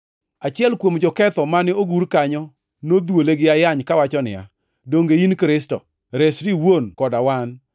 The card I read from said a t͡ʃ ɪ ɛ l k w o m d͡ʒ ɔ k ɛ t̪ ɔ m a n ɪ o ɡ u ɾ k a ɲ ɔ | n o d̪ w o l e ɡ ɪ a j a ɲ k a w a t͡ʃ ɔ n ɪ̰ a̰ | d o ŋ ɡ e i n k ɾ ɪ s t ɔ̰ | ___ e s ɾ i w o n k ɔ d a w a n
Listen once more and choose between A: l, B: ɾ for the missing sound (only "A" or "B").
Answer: B